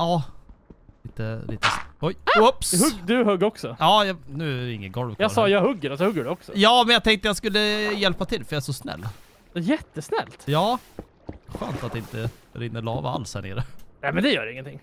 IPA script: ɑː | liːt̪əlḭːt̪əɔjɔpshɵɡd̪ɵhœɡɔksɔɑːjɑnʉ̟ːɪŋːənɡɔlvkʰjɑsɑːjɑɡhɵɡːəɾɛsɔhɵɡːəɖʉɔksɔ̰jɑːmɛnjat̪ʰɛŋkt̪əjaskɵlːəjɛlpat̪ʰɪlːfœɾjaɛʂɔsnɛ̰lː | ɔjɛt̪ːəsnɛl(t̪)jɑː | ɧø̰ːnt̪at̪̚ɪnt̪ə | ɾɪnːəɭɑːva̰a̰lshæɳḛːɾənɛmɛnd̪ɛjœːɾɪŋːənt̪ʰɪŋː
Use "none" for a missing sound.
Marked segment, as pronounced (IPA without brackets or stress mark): t̪